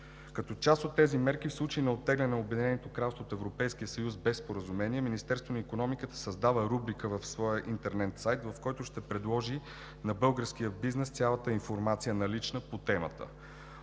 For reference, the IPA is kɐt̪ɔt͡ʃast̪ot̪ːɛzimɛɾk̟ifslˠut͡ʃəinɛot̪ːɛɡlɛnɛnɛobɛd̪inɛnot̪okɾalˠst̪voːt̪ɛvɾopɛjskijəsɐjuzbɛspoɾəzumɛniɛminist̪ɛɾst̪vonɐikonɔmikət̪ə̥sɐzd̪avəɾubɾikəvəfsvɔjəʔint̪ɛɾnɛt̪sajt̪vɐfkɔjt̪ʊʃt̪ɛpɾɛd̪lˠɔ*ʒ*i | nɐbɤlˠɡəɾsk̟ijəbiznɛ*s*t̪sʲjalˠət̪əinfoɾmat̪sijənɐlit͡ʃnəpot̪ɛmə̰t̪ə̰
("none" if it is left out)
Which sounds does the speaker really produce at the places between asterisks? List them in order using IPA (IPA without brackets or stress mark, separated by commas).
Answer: ʒ, s